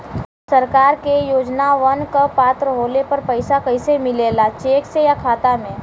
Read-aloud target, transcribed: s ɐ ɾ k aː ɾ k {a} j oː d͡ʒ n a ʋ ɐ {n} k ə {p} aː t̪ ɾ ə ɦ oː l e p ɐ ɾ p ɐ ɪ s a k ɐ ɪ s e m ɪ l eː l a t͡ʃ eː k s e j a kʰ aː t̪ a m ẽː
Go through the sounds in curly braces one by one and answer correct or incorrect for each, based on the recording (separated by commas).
incorrect, correct, correct